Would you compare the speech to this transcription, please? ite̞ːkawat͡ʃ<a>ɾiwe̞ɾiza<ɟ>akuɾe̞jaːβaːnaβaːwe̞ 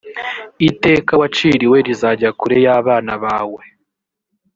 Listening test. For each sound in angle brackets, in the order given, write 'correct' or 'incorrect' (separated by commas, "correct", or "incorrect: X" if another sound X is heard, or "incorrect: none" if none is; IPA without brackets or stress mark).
incorrect: i, correct